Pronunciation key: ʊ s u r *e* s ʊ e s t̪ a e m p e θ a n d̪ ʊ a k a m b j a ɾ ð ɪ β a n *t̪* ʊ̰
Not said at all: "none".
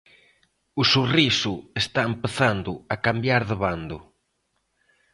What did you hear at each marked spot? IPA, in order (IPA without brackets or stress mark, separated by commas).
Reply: i, d̪